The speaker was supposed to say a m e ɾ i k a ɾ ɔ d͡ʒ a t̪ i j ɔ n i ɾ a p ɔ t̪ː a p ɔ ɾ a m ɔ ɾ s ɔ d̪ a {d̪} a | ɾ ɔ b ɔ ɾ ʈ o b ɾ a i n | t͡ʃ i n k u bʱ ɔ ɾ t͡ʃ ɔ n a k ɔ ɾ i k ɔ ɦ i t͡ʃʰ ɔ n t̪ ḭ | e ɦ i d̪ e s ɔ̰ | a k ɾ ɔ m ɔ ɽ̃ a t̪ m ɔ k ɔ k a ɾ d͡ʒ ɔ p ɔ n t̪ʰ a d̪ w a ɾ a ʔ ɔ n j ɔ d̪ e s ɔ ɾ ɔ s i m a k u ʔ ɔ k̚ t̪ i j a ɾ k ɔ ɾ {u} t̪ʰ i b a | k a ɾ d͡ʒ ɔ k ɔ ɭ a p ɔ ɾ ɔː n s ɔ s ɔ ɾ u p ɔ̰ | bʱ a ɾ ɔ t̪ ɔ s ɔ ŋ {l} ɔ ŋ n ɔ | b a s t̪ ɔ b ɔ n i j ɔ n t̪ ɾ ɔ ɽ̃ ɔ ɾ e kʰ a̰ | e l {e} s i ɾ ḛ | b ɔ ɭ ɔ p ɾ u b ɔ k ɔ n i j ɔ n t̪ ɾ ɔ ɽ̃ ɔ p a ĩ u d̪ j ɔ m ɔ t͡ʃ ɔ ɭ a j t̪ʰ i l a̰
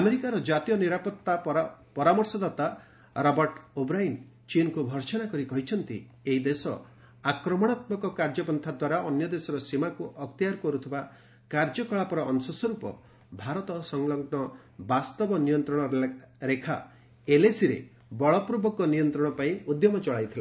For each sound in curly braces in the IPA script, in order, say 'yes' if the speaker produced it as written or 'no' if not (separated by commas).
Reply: no, yes, yes, yes